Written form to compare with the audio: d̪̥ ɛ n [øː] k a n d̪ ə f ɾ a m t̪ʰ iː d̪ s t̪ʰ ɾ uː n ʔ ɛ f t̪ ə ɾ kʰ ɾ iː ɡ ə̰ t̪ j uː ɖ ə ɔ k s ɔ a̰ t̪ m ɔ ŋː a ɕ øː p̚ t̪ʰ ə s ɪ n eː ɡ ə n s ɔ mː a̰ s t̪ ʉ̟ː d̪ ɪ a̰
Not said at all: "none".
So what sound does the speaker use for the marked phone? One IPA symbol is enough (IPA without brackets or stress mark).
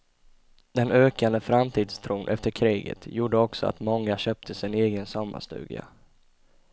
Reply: øː